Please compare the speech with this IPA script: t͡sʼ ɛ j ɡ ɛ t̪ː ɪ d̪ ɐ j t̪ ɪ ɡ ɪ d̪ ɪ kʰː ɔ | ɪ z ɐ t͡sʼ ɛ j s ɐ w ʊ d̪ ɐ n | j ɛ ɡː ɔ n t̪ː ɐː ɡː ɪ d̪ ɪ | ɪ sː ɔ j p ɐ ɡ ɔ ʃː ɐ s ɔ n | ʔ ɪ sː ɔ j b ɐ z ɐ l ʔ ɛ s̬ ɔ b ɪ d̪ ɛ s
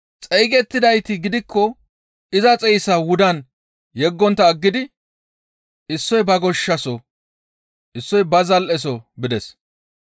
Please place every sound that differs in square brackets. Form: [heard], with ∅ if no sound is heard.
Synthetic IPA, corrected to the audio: t͡sʼ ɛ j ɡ ɛ t̪ː ɪ d̪ ɐ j t̪ ɪ ɡ ɪ d̪ ɪ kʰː ɔ | ɪ z ɐ t͡sʼ ɛ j s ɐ w ʊ d̪ ɐ n | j ɛ ɡː ɔ n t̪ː ɐː ɡː ɪ d̪ ɪ | ɪ sː ɔ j [b] ɐ ɡ ɔ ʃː ɐ s ɔ [∅] | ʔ ɪ sː ɔ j b ɐ z ɐ l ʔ ɛ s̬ ɔ b ɪ d̪ ɛ s